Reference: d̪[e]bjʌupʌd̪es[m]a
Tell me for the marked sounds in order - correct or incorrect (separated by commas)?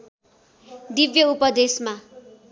incorrect, correct